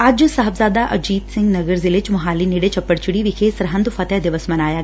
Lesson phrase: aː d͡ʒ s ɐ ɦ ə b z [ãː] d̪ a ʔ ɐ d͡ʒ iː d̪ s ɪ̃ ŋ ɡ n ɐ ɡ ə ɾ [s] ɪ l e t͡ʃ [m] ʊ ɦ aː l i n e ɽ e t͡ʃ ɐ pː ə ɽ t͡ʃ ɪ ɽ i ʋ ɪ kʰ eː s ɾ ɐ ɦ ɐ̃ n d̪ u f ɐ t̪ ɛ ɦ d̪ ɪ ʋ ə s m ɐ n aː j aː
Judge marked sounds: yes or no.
no, no, yes

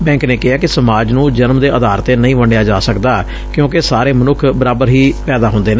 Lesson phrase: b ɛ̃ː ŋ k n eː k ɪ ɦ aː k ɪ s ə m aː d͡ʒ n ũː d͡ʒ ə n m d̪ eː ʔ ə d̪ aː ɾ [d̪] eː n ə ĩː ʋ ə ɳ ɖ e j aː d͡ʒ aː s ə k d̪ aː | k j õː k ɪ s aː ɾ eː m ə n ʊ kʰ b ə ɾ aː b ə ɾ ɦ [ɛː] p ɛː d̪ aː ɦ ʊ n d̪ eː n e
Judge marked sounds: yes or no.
no, no

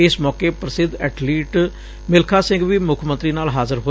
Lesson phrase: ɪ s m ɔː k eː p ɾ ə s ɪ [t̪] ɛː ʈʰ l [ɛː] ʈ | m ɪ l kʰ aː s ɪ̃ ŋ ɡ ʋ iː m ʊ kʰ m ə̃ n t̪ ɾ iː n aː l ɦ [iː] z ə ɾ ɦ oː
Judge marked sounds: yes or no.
no, no, no

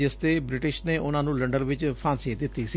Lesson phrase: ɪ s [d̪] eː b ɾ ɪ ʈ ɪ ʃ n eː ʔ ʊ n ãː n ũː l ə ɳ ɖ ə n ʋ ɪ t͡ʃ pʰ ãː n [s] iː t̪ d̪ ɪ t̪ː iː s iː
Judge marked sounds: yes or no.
no, yes

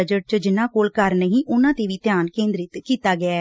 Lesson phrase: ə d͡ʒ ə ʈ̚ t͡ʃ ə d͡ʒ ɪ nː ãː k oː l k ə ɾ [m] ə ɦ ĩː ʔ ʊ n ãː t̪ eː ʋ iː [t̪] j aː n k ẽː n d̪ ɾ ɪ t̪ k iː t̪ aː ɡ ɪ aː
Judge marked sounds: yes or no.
no, yes

